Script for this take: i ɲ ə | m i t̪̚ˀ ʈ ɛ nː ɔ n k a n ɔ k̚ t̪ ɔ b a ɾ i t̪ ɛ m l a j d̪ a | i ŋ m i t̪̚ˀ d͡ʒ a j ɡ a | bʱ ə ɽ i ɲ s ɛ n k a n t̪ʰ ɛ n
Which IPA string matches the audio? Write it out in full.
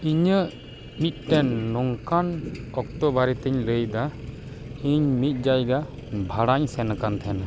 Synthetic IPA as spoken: i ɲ ə | m i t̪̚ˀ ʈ ɛ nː ɔ ŋ k a n ɔ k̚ t̪ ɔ b a ɾ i t̪ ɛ ɲ l ə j d̪ a | i ɲ m i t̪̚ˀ d͡ʒ a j ɡ a | bʱ a ɽ a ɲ s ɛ n k a n t̪ʰ ɛ n